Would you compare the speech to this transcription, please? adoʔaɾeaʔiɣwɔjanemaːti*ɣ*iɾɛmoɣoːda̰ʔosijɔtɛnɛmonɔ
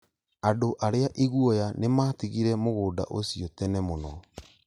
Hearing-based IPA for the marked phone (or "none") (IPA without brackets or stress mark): ɣ